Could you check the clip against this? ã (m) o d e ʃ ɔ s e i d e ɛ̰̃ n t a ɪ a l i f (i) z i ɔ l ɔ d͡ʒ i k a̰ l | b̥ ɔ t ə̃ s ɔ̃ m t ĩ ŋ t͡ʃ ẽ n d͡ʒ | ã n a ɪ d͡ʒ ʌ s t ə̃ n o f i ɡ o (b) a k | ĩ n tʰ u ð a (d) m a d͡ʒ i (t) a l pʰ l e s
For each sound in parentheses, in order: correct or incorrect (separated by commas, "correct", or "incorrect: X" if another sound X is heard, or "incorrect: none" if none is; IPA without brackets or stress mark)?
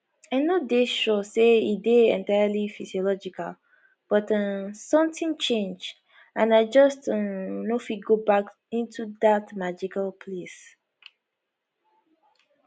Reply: incorrect: n, correct, correct, incorrect: t, incorrect: k